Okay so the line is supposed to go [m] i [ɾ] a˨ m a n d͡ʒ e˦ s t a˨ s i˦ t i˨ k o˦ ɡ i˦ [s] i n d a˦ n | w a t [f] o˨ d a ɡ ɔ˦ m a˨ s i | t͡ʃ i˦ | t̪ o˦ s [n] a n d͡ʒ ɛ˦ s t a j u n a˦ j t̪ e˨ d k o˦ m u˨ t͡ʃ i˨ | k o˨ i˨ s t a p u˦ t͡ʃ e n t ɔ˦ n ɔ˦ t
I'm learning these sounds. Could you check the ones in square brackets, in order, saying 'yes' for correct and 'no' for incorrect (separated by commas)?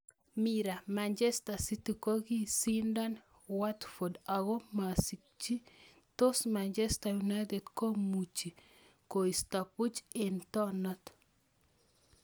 yes, yes, yes, yes, no